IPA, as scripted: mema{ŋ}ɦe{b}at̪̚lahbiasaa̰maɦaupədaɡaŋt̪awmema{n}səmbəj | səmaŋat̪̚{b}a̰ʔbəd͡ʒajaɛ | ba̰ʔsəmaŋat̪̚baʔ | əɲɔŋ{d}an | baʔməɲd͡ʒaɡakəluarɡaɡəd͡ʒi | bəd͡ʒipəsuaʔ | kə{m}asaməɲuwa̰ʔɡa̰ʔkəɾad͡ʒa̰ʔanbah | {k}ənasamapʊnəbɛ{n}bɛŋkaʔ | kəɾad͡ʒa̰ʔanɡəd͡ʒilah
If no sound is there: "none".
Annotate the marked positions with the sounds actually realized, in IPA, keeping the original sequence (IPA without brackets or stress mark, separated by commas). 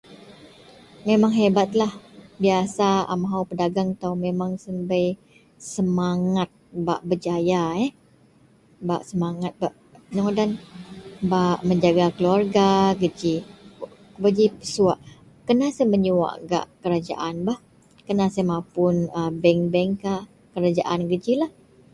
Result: ŋ, b, ŋ, b, d, n, k, ŋ